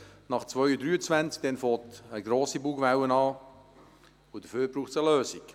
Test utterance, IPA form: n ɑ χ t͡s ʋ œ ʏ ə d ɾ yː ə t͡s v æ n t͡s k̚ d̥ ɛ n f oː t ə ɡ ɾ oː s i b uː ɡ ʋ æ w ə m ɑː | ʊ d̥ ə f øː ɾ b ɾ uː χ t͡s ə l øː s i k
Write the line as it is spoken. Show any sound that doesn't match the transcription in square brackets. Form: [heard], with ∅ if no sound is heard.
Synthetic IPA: n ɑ χ t͡s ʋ œ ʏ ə d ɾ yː ə t͡s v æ n t͡s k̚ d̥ ɛ n f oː t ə ɡ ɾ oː s i b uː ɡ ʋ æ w ə [n] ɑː | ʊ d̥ ə f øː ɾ b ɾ uː χ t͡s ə l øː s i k